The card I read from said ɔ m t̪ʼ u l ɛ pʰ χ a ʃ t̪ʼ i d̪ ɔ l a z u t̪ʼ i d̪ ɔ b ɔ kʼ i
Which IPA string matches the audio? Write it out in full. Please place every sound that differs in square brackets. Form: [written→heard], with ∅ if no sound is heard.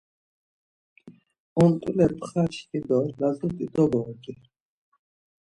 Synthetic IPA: ɔ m t̪ʼ u l ɛ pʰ χ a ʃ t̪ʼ i d̪ ɔ l a z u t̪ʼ i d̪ ɔ b ɔ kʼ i